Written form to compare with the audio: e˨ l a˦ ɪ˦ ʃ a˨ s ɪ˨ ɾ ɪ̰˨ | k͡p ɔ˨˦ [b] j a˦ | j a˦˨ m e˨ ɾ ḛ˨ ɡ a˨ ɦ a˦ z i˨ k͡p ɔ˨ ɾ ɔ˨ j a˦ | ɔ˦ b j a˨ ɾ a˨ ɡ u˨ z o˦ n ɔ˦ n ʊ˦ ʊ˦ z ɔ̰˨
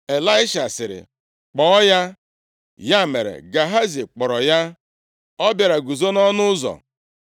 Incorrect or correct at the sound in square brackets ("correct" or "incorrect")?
incorrect